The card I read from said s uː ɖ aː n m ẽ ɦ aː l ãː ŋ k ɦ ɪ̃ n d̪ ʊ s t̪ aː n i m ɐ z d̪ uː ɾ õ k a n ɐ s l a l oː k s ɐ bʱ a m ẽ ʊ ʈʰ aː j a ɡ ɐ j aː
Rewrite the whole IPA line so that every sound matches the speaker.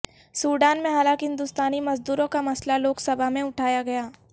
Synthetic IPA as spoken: s uː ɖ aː n m ẽ ɦ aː l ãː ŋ k ɦ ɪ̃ n d̪ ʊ s t̪ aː n i m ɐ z d̪ uː ɾ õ k a m ɐ s l a l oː k s ɐ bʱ a m ẽ ʊ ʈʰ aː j a ɡ ɐ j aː